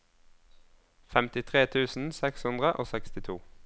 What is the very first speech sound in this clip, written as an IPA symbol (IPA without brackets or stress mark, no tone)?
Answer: f